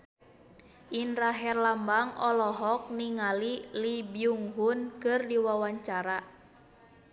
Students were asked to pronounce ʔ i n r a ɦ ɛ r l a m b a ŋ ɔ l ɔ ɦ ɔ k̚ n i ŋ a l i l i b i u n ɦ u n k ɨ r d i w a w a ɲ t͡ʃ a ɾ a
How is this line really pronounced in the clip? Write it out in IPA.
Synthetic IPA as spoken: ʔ i n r a ɦ ɛ r l a m b a ŋ ɔ l ɔ ɦ ɔ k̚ n i ŋ a l i l i b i u ŋ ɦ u n k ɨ r d i w a w a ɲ t͡ʃ a ɾ a